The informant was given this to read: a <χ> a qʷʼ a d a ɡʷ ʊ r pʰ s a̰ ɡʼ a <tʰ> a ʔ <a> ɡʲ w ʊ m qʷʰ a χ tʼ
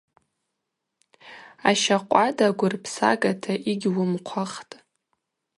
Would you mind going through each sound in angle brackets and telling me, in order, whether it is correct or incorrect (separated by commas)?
incorrect, correct, incorrect